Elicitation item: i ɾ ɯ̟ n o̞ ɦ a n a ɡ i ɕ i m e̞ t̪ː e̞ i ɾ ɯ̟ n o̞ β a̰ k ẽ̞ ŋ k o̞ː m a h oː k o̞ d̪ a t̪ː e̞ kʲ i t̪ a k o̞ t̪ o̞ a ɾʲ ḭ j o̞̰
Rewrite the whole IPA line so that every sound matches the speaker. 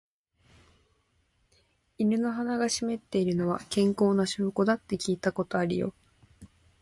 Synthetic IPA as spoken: i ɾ ɯ̟ n o̞ ɦ a n a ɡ a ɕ i m e̞ t̪ː e̞ i ɾ ɯ̟ n o̞ β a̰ k ẽ̞ ŋ k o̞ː n a ɕ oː k o̞ d̪ a t̪ː e̞ kʲ iː t̪ a k o̞ t̪ o̞ a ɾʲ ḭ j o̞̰